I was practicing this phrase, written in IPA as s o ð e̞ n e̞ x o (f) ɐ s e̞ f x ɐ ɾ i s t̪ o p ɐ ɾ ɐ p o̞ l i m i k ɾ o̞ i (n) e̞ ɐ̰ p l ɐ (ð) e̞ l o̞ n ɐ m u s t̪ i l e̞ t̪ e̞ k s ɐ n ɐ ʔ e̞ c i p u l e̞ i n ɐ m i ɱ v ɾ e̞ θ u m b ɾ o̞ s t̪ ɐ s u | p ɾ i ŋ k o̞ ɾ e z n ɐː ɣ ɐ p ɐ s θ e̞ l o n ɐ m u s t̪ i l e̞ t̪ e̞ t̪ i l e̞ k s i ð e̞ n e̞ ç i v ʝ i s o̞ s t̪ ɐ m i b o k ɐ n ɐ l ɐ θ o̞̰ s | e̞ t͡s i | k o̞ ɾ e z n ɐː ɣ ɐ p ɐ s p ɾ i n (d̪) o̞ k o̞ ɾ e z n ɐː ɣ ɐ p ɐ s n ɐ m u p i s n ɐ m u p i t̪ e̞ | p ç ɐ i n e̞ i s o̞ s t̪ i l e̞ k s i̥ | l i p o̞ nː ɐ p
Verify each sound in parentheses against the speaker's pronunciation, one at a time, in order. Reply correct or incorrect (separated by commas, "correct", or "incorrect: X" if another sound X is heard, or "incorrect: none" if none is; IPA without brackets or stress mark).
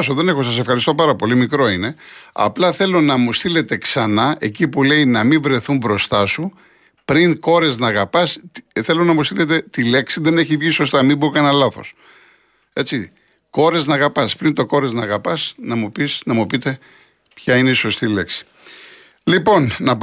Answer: incorrect: s, correct, incorrect: θ, incorrect: t̪